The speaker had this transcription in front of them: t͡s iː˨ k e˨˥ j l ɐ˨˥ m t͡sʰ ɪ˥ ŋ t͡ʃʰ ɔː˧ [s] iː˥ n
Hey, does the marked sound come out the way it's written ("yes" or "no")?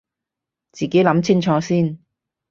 yes